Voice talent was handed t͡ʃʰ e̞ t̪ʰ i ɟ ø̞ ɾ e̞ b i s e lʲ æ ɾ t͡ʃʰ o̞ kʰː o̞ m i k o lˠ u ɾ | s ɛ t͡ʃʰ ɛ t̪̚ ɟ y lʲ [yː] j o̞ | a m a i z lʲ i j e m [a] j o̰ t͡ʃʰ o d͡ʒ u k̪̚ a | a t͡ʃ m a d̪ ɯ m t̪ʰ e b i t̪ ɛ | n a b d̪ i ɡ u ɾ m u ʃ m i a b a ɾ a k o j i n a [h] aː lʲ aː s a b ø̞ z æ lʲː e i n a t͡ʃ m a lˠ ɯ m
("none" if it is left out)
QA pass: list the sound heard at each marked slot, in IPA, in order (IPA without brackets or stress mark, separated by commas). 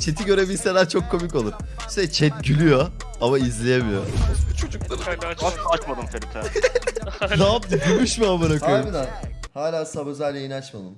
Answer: y, i, h